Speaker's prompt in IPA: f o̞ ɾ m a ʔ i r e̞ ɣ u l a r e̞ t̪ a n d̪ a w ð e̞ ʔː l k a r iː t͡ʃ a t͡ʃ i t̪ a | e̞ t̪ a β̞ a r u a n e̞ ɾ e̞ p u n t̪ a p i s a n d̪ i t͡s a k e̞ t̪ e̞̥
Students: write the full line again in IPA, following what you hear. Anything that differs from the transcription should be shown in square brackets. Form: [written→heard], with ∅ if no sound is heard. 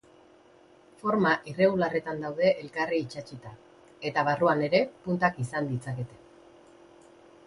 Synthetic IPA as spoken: f o̞ ɾ m a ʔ i r e̞ ɣ u l a r e̞ t̪ a n d̪ a w ð e̞ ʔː l k a r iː t͡ʃ a t͡ʃ i t̪ a | e̞ t̪ a β̞ a r u a n e̞ ɾ e̞ p u n t̪ a [p→k] i s a n d̪ i t͡s a k e̞ t̪ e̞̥